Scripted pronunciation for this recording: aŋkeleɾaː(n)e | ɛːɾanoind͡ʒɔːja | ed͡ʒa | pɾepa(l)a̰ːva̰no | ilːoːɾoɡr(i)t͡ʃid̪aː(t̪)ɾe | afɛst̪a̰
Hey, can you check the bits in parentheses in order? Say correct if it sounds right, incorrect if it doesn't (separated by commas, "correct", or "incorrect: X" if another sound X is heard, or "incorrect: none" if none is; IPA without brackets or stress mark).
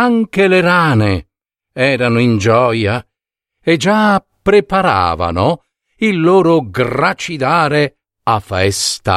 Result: correct, incorrect: ɾ, incorrect: a, incorrect: none